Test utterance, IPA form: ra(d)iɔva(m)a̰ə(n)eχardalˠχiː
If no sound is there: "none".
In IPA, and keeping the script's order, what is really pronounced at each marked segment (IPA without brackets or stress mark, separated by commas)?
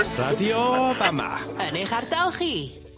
d, m, n